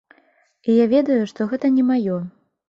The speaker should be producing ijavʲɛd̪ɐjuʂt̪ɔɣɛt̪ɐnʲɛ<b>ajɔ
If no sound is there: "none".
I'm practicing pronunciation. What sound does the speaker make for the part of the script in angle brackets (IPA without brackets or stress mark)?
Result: m